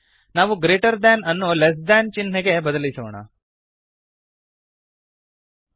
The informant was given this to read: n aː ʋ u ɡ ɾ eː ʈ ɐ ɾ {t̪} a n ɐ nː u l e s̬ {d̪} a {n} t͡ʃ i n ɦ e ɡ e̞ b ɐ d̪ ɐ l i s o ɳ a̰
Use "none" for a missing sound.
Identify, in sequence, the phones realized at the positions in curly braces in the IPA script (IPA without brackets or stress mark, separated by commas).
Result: d̪, d̪, n